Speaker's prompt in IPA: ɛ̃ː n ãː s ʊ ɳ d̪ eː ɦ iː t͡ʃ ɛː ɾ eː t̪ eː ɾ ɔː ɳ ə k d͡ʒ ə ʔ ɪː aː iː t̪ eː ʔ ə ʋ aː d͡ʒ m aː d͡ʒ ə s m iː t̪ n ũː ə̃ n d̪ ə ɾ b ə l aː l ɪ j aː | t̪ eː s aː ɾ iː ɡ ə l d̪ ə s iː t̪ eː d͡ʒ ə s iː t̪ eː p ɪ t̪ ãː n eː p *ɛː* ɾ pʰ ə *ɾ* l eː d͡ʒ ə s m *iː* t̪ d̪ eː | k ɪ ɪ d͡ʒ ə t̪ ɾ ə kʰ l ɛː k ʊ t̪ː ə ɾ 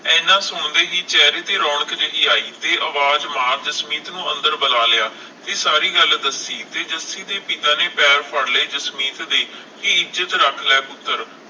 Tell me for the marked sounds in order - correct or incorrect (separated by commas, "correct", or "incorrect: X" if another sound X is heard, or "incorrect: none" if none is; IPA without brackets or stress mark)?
correct, incorrect: ɽ, correct